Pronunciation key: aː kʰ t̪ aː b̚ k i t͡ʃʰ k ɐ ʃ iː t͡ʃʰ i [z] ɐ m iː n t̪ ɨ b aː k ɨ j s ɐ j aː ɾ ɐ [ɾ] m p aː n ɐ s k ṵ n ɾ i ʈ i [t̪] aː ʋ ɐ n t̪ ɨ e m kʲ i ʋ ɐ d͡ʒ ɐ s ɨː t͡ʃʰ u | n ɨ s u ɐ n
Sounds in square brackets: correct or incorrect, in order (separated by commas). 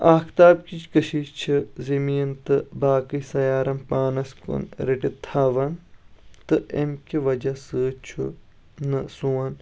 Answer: correct, incorrect, incorrect